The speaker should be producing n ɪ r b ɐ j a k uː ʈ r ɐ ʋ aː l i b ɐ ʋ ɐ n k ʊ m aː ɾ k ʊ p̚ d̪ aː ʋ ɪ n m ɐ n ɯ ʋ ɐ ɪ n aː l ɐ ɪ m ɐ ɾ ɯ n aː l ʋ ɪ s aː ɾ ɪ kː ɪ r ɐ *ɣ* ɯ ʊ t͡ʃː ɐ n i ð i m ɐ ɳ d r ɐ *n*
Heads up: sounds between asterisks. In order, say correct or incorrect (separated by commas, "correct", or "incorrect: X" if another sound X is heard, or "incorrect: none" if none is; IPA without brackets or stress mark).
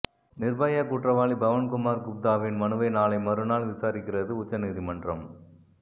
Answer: incorrect: ð, incorrect: m